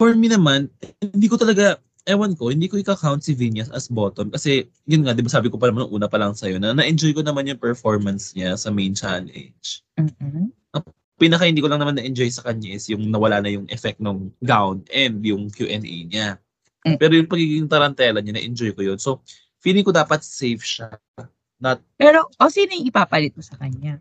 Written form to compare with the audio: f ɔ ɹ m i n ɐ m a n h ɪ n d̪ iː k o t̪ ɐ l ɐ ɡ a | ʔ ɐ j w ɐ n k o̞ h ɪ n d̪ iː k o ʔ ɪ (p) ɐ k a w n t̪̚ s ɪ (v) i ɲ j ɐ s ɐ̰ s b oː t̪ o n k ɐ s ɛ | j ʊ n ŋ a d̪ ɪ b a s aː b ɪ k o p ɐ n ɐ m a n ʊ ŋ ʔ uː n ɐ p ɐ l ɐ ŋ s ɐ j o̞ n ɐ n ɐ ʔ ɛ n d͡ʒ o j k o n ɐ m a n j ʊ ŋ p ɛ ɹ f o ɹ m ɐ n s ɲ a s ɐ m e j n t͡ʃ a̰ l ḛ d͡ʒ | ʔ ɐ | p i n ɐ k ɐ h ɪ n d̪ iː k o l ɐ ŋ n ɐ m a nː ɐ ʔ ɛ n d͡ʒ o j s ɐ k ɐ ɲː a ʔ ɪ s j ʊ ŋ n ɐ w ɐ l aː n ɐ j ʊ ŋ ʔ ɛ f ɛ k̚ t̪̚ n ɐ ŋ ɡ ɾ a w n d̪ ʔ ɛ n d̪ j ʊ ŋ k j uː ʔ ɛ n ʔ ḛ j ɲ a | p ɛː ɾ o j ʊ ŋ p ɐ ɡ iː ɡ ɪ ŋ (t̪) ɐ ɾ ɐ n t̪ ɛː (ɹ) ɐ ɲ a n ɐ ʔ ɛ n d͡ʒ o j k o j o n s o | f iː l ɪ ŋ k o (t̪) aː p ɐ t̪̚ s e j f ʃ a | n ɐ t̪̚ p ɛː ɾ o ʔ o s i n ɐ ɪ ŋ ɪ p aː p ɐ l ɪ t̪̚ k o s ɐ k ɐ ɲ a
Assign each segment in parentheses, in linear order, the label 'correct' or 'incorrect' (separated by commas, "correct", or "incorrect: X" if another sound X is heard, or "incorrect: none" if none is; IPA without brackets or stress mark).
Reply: incorrect: k, correct, correct, incorrect: l, incorrect: d̪